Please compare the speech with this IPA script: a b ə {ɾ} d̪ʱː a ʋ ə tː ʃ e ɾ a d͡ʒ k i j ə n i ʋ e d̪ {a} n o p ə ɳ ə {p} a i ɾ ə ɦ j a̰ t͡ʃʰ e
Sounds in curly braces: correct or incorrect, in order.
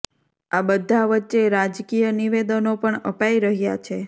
incorrect: none, incorrect: ə, correct

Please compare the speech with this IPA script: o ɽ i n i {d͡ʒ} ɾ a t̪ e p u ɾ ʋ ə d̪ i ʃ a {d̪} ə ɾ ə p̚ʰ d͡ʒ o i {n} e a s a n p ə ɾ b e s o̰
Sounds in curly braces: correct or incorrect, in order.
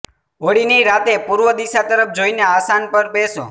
incorrect: none, incorrect: t̪, correct

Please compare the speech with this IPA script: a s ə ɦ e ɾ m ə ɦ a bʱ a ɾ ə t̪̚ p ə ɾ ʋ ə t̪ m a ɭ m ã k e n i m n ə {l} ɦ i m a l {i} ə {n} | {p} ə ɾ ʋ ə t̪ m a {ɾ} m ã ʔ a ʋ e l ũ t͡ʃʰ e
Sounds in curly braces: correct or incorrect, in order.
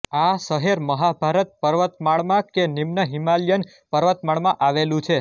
incorrect: none, incorrect: j, correct, correct, incorrect: ɭ

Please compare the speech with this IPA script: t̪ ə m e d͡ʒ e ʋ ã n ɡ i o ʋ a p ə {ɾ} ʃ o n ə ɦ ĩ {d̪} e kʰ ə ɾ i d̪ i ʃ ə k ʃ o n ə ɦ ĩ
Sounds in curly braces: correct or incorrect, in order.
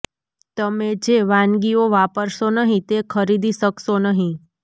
correct, incorrect: t̪

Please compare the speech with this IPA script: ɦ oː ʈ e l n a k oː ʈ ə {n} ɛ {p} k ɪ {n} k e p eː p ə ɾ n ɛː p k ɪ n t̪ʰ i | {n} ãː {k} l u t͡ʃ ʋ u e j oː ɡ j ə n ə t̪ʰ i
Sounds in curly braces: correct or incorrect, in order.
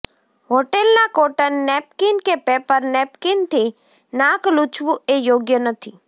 incorrect: nː, correct, correct, correct, correct

